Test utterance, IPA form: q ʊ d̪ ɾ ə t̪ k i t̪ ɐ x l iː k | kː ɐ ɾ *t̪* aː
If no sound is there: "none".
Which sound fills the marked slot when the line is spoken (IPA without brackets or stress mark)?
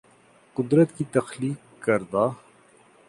d̪